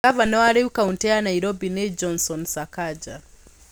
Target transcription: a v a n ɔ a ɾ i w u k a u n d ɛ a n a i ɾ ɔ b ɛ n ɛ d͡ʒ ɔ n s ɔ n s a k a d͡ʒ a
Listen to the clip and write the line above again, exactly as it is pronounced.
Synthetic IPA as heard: a v a n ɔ a ɾ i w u k a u n t ɛ a n a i ɾ ɔ b i n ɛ d͡ʒ ɔ n s ɔ n s a k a d͡ʒ a